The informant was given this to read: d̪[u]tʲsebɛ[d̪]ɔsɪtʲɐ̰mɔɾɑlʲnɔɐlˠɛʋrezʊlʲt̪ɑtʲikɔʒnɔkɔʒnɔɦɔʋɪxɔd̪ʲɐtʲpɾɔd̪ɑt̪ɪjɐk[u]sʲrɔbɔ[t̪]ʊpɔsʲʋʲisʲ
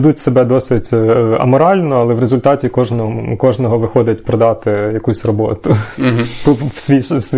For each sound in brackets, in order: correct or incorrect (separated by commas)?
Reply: correct, correct, correct, correct